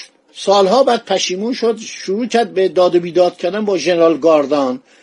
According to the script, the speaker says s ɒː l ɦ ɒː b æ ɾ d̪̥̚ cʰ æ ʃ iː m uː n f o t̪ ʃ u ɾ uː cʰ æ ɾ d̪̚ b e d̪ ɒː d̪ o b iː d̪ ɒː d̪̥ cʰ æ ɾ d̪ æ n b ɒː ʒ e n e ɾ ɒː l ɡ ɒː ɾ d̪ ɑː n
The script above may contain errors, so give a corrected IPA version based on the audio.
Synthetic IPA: s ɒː l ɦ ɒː b æ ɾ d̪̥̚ pʰ æ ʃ iː m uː n ʃ o d̪ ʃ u ɾ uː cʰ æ ɾ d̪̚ b e d̪ ɒː d̪ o b iː d̪ ɒː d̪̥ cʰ æ ɾ d̪ æ n b ɒː ʒ e n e ɾ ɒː l ɡ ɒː ɾ d̪ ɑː n